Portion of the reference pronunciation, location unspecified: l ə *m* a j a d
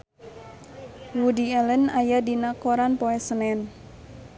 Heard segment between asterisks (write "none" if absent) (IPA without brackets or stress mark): n